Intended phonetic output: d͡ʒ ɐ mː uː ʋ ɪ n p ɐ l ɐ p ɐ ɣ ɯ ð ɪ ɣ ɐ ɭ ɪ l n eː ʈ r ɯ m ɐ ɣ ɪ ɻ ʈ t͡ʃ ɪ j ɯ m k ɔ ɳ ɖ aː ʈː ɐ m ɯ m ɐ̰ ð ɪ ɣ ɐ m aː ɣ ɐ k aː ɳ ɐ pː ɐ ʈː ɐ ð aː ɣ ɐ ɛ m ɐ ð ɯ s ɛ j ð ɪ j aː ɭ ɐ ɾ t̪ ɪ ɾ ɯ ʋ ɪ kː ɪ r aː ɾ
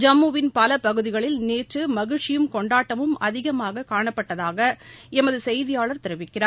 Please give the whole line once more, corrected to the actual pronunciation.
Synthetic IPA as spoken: d͡ʒ ɐ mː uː ʋ ɪ n p ɐ l ɐ p ɐ ɣ ɯ ð ɪ ɣ ɐ ɭ ɪ l n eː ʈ r ɯ m ɐ ɣ ɪ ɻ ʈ t͡ʃ ɪ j ɯ m k ɔ ɳ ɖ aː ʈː ɐ m ɯ m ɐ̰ ð ɪ ɣ ɐ m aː ɣ ɐ k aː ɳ ɐ pː ɐ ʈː ɐ ð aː ɣ ɐ ɛ m ɐ ð ɯ s ɛ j ð ɪ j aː ɭ ɐ ɾ t̪ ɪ ɾ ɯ ʋ ɪ kː ɪ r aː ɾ